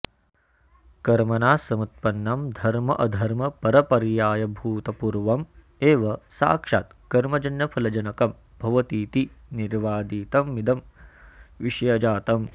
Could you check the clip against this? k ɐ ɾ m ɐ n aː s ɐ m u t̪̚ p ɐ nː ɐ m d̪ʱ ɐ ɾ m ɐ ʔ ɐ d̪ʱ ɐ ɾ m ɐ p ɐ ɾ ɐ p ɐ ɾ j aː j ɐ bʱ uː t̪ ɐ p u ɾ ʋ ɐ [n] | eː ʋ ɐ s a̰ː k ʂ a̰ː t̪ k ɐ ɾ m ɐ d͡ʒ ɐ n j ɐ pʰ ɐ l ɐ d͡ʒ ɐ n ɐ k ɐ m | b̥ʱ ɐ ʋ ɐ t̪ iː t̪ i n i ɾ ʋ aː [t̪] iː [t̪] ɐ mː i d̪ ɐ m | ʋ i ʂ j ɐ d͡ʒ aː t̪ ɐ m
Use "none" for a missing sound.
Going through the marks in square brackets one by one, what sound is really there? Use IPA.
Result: m, d̪, t̪

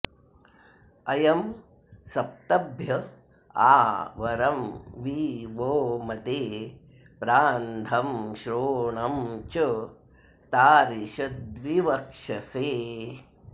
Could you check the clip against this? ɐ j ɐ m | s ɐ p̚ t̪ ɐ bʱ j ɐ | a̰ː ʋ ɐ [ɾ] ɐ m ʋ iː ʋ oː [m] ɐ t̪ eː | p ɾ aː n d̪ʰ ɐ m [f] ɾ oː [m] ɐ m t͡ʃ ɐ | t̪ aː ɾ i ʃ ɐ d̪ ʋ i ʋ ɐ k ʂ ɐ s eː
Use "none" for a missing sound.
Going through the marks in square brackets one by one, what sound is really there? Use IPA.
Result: ɾ, m, ʃ, ɳ

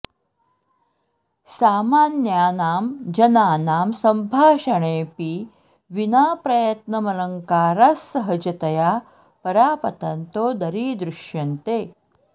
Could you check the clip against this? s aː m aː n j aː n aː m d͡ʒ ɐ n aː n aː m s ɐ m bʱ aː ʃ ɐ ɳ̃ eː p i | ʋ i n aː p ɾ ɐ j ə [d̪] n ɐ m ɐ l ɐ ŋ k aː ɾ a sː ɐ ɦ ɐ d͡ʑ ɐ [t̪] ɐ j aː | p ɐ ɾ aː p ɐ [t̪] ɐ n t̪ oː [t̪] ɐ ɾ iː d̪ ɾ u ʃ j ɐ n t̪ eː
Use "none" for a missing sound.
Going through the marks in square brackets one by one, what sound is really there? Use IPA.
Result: t̪, t̪, t̪, d̪

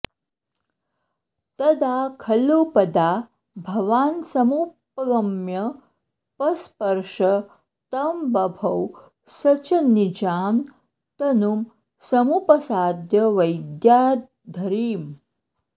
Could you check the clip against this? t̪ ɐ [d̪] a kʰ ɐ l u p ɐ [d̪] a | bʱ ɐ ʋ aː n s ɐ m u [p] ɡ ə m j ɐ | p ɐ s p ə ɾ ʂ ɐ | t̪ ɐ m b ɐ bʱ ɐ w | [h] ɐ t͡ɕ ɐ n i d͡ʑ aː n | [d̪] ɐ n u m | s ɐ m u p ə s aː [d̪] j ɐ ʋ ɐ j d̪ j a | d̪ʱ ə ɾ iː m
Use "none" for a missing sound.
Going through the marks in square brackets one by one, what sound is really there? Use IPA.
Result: d̪, d̪, p, s, t̪, d̪

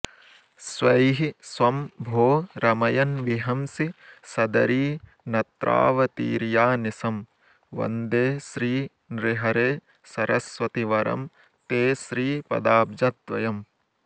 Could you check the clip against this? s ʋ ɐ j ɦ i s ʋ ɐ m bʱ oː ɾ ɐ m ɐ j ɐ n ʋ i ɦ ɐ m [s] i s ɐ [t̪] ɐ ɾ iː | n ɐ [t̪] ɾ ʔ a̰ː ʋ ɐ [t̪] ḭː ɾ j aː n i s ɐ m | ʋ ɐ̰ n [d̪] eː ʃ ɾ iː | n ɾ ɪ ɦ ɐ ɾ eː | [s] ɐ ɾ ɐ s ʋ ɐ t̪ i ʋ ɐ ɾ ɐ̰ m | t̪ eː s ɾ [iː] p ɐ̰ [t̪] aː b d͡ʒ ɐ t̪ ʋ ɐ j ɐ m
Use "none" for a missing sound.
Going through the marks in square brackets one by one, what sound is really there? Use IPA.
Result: s, d̪, t̪, t̪, d̪, s, iː, d̪

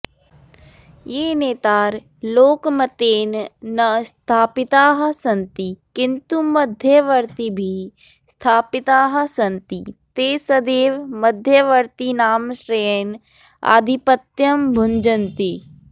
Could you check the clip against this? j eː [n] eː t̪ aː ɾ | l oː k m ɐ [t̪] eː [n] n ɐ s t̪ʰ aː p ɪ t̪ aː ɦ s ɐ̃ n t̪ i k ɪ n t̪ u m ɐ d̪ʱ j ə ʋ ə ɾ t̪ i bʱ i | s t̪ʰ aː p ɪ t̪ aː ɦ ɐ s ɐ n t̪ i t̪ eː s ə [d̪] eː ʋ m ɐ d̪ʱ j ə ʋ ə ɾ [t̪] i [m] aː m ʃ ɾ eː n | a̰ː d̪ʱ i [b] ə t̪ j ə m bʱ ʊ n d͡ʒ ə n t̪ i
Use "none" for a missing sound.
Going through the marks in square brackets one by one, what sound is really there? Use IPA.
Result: n, t̪, n, d̪, t̪, n, p

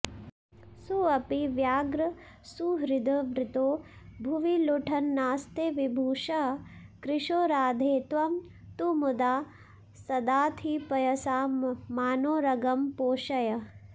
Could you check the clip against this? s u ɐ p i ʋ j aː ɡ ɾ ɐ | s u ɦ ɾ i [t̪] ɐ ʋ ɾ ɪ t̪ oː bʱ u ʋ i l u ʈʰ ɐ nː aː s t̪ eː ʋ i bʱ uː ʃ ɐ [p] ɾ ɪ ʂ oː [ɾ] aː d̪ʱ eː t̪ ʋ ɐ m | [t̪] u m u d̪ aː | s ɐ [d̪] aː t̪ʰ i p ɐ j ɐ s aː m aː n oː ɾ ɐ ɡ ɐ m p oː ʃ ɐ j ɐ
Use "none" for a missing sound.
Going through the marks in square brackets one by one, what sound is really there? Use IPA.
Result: d̪, k, ɾ, t̪, d̪

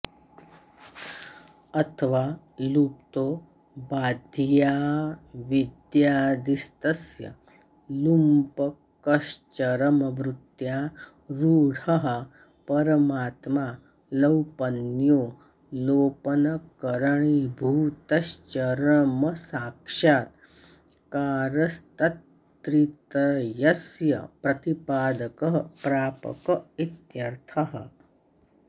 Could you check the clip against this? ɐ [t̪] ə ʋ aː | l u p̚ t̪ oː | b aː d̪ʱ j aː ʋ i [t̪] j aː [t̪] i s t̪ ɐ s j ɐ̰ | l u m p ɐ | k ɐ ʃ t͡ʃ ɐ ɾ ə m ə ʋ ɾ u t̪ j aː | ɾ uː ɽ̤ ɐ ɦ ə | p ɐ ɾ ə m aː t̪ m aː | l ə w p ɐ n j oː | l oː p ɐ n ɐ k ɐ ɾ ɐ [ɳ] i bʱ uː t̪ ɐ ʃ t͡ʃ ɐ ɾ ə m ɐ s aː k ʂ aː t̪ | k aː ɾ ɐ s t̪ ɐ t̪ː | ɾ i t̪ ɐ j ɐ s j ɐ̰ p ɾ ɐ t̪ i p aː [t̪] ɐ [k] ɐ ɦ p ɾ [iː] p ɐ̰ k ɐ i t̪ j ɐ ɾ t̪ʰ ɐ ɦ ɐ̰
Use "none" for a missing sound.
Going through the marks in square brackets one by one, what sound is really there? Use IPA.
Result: t̪ʰ, d̪, d̪, ɳ, d̪, k, aː

